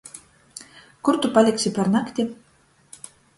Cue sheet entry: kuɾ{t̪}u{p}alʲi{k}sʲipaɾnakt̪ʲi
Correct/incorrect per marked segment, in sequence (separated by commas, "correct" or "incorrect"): correct, correct, correct